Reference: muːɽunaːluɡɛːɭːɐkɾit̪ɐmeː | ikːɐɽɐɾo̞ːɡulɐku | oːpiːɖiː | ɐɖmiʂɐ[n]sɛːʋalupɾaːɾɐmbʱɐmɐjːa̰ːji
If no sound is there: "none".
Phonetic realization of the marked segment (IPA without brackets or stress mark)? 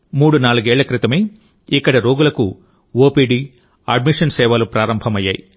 n